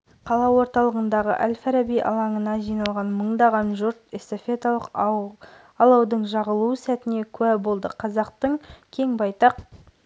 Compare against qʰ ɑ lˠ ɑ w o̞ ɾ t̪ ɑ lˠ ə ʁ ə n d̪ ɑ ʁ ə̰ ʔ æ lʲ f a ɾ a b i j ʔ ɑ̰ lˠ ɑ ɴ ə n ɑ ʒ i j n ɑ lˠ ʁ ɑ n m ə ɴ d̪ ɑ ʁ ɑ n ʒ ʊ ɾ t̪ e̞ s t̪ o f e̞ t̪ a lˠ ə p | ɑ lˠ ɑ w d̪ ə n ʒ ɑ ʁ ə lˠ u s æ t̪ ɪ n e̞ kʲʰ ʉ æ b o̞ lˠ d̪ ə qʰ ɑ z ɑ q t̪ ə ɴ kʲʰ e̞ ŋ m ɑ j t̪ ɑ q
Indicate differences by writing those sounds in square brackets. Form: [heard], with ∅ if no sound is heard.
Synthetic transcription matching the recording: qʰ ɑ lˠ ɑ w o̞ ɾ t̪ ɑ lˠ ə ʁ ə n d̪ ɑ ʁ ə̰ ʔ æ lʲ f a ɾ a b i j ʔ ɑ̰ lˠ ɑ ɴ ə n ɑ ʒ i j n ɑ lˠ ʁ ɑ n m ə ɴ d̪ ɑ ʁ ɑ n ʒ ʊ ɾ t̪ e̞ s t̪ o f e̞ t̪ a lˠ ə [q] | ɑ lˠ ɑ w d̪ ə [ɴ] ʒ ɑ ʁ ə lˠ u s æ t̪ ɪ n e̞ kʲʰ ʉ æ b o̞ lˠ d̪ ə qʰ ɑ z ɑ q t̪ ə ɴ kʲʰ e̞ ŋ [b] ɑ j t̪ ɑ q